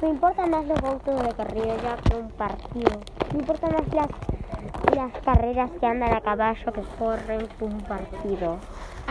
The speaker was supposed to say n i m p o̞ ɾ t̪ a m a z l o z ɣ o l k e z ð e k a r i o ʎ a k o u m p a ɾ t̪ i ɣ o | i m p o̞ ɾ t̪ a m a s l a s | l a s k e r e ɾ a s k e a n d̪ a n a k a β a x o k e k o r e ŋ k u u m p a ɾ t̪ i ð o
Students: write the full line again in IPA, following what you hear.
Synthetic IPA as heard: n i m p o̞ ɾ t̪ a m a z l o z ɣ o l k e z ð e k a r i o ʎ a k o u m p a ɾ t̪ i ð o | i m p o̞ ɾ t̪ a m a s l a s | l a s k a r e ɾ a s k e a n d̪ a n a k a β a ʃ o k e k o r e ŋ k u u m p a ɾ t̪ i ð o